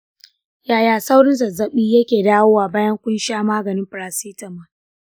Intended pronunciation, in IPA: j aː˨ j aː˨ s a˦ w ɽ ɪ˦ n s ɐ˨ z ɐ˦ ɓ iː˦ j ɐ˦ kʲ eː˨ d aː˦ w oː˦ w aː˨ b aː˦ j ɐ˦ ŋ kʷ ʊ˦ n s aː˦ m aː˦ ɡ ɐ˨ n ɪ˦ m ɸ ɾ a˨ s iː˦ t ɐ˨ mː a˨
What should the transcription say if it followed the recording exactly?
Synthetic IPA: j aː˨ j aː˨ s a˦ w ɽ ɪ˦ n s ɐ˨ z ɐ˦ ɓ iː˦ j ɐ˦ kʲ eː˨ d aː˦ w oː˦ w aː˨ b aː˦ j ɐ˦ ŋ kʷ ʊ˦ n ʃ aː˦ m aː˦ ɡ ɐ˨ n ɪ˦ m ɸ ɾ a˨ s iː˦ t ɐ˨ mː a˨